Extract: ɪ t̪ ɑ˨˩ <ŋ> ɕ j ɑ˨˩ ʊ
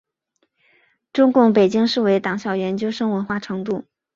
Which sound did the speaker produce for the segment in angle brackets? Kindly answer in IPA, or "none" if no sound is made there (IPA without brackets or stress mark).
ŋ